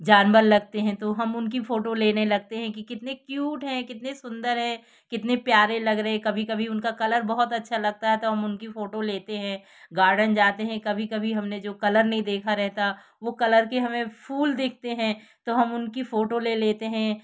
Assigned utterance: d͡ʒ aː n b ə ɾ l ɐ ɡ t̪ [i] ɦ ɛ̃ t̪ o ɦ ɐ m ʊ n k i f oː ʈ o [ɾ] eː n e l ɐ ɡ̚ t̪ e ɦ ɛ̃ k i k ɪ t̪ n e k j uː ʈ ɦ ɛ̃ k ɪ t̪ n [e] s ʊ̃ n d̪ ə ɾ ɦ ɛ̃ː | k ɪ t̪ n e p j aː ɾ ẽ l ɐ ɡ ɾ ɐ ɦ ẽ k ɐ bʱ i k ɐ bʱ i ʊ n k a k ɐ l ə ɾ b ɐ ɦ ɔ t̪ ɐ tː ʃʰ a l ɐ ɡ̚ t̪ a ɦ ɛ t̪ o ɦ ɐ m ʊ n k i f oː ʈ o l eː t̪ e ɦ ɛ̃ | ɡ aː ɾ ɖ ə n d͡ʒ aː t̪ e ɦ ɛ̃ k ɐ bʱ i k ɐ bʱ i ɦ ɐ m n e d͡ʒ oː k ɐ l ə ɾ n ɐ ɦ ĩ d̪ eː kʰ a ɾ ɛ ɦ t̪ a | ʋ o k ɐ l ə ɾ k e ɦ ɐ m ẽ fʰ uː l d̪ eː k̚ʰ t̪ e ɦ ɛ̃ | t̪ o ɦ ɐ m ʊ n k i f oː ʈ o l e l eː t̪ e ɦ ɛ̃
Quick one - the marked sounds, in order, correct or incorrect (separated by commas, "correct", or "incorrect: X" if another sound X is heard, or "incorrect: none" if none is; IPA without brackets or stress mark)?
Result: incorrect: e, incorrect: l, correct